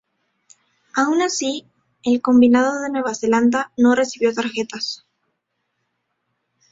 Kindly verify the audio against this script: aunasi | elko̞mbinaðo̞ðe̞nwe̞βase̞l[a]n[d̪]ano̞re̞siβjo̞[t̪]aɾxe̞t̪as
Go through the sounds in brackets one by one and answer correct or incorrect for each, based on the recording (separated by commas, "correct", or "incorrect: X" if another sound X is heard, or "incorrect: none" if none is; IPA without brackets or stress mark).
correct, correct, correct